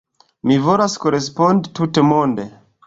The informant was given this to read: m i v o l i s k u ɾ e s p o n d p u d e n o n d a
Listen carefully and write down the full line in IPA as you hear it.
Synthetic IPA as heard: m i v o l a s k o ɾ e s p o n d t u t e m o n d e